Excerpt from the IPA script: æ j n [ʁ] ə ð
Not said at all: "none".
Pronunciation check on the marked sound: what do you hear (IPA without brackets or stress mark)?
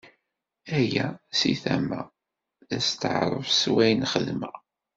χ